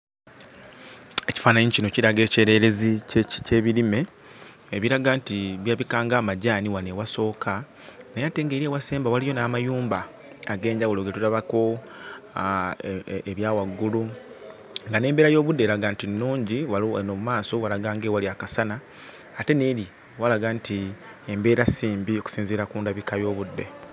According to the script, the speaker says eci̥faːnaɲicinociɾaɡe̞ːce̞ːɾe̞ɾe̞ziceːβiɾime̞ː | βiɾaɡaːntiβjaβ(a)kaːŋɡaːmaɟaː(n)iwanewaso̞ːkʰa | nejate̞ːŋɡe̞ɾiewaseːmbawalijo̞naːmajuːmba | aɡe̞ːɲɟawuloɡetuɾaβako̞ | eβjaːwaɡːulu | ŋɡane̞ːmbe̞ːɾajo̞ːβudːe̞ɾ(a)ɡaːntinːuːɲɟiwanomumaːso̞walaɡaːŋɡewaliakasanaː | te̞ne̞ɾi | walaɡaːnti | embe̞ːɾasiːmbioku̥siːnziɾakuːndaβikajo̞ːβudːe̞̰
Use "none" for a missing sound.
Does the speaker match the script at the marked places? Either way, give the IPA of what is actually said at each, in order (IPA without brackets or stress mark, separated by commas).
i, n, a